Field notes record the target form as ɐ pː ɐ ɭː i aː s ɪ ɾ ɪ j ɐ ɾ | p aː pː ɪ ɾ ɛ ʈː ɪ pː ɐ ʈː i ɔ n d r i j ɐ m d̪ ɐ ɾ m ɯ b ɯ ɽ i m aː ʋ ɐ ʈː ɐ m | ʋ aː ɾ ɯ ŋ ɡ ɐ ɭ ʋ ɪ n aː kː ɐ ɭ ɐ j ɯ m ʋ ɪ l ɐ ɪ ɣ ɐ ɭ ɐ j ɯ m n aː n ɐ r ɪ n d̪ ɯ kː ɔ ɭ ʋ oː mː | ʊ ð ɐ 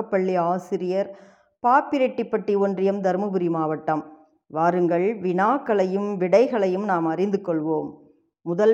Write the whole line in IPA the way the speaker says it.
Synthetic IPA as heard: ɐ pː ɐ ɭː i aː s ɪ ɾ ɪ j ɐ ɾ | p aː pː ɪ ɾ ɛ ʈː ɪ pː ɐ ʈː i ɔ n d r ɪ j ɐ m d̪ ɐ ɾ m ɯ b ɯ ɾ i m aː ʋ ɐ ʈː ɐ m | ʋ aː ɾ ɯ ŋ ɡ ɐ ɭ ʋ ɪ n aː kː ɐ ɭ ɐ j ɯ m ʋ ɪ ɽ ɐ ɪ ɣ ɐ ɭ ɐ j ɯ m n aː m ɐ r ɪ n d̪ ɯ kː ɔ ɭ ʋ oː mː | ʊ ð ɐ